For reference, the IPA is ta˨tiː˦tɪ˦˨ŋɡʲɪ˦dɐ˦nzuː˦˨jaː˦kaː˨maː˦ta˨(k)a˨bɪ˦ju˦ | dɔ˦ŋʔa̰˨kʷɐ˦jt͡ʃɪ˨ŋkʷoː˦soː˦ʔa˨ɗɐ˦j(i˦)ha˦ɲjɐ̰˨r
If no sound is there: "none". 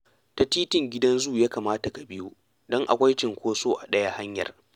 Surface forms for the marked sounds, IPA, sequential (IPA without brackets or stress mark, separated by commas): k, a˦